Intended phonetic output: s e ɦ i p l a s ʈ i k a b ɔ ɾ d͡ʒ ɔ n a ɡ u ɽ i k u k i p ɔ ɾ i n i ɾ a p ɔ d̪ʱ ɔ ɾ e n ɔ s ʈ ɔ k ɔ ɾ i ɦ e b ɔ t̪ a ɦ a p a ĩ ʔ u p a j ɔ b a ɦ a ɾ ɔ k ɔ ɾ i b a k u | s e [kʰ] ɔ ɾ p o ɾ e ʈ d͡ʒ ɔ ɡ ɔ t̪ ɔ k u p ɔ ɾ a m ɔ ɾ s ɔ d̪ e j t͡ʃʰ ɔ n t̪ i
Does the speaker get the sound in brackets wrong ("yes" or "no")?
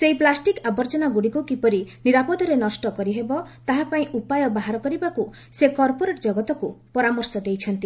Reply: yes